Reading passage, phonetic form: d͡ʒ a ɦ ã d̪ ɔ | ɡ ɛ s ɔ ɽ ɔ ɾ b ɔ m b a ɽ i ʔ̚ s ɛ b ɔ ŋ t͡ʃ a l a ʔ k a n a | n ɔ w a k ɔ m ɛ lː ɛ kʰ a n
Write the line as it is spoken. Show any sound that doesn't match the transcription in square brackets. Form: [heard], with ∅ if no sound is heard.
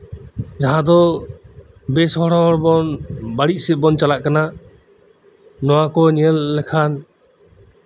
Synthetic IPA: d͡ʒ a ɦ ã d̪ ɔ | [b] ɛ s ɔ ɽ ɔ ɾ b ɔ [n] b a ɽ i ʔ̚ s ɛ b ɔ [n] t͡ʃ a l a ʔ k a n a | n ɔ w a k ɔ [ɲ] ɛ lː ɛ kʰ a n